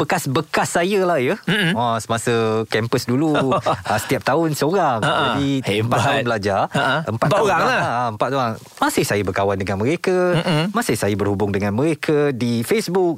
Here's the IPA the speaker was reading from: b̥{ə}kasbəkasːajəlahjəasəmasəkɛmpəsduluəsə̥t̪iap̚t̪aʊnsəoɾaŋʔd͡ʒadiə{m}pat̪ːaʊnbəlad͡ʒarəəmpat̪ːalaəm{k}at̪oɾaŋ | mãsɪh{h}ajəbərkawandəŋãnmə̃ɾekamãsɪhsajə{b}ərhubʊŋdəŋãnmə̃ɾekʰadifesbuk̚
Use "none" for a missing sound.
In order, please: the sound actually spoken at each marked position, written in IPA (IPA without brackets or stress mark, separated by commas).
ə, m, p, s, b